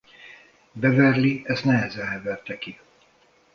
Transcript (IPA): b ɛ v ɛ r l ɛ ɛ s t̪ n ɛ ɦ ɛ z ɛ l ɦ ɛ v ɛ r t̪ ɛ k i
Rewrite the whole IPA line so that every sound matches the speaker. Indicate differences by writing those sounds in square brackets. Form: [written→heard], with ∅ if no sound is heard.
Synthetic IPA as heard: b ɛ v ɛ r l [ɛ→i] ɛ s t̪ n ɛ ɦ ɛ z ɛ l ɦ ɛ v ɛ r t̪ ɛ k i